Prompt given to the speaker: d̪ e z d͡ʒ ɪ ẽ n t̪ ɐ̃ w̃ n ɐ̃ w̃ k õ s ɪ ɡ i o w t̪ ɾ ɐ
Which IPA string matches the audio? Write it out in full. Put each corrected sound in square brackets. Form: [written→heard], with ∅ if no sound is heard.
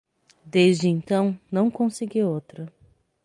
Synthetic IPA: d̪ e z d͡ʒ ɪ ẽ n t̪ ɐ̃ w̃ n ɐ̃ w̃ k õ s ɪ ɡ i o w t̪ ɾ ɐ